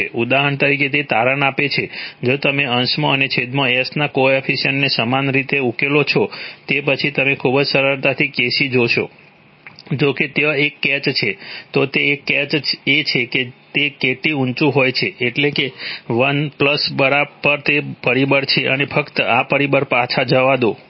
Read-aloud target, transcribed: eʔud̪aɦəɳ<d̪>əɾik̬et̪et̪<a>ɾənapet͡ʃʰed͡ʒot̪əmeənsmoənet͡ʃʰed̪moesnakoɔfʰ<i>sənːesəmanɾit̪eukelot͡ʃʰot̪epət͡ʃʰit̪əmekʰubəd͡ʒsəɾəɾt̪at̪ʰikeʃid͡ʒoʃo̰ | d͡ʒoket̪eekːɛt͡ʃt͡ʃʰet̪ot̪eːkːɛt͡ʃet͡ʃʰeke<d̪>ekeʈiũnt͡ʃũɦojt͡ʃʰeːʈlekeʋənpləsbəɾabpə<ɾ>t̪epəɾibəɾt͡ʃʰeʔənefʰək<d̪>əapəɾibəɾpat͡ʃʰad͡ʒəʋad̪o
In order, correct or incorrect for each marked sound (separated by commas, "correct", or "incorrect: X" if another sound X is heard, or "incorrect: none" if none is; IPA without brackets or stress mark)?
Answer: incorrect: t̪, correct, correct, incorrect: t̪, correct, incorrect: t̪